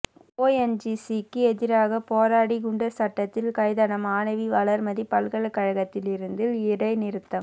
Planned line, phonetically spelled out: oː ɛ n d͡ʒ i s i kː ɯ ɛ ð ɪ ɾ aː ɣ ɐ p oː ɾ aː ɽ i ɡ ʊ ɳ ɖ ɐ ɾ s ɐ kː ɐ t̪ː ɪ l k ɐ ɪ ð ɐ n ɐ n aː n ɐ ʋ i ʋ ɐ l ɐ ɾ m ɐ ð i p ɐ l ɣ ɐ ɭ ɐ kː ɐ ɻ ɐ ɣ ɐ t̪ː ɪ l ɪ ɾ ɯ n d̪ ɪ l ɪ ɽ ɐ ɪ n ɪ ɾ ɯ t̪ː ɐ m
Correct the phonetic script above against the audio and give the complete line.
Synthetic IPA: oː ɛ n d͡ʒ i s i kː ɯ ɛ ð ɪ ɾ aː ɣ ɐ p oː ɾ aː ɽ i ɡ ʊ ɳ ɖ ɐ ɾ s ɐ ʈː ɐ t̪ː ɪ l k ɐ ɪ ð ɐ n ɐ m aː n ɐ ʋ i ʋ ɐ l ɐ ɾ m ɐ ð i p ɐ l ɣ ɐ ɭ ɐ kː ɐ ɻ ɐ ɣ ɐ t̪ː ɪ l ɪ ɾ ɯ n d̪ ɪ l ɪ ɽ ɐ ɪ n ɪ ɾ ɯ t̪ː ɐ m